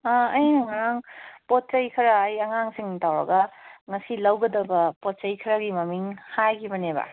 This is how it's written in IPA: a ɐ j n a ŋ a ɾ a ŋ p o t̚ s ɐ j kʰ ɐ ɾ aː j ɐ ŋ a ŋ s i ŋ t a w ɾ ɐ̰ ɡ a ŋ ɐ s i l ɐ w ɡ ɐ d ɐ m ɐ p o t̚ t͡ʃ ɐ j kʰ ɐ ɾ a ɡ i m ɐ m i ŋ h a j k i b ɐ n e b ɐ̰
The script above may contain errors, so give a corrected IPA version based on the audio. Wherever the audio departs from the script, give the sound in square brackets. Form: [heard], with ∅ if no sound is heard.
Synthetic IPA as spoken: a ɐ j n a ŋ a ɾ a ŋ p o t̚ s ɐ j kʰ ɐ ɾ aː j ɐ ŋ a ŋ s i ŋ t a w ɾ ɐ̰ ɡ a ŋ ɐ s i l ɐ w ɡ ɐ d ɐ [b] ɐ p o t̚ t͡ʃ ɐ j kʰ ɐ ɾ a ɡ i m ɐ m i ŋ h a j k i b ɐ n e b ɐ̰